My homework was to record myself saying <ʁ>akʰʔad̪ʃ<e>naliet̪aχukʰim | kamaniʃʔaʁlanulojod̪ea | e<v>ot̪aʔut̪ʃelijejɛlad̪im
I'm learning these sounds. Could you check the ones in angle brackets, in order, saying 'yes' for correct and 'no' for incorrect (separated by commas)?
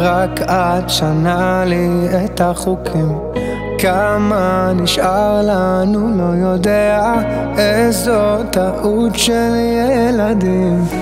yes, no, no